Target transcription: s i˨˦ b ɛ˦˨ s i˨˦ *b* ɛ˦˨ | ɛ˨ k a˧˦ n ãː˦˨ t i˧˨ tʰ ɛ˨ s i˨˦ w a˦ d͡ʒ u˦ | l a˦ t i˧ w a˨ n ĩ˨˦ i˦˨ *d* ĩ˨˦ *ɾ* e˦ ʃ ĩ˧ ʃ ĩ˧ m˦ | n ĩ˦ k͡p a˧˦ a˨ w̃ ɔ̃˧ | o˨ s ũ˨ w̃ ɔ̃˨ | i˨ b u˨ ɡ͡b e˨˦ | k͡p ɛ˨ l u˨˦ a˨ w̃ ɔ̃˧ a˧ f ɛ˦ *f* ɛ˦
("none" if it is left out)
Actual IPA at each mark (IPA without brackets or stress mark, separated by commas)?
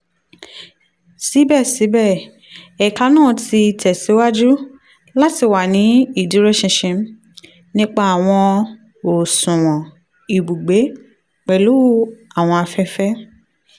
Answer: b, d, ɾ, f